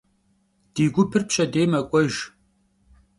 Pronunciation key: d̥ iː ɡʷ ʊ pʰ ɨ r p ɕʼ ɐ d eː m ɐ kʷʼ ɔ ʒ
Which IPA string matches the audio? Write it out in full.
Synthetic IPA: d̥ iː ɡʷ ʊ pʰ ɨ r p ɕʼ ɐ d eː m ɐ kʷʼ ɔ ʒ